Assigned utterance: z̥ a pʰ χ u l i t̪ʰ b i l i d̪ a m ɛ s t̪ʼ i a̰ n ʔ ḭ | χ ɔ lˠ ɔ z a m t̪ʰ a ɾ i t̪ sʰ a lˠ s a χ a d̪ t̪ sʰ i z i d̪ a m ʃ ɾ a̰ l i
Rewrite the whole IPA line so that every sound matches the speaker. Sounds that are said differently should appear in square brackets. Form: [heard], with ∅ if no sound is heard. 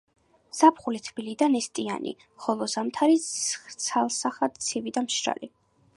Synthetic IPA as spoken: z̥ a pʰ χ u l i t̪ʰ b i l i d̪ a [n] ɛ s t̪ʼ i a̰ n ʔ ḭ | χ ɔ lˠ ɔ z a m t̪ʰ a ɾ i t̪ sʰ a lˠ s a χ a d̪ t̪ sʰ i [v] i d̪ a m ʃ ɾ a̰ l i